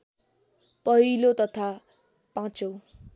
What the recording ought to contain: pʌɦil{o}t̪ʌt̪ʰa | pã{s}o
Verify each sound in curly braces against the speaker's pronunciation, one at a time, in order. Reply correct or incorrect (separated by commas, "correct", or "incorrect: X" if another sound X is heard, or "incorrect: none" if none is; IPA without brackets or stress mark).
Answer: correct, incorrect: t͡s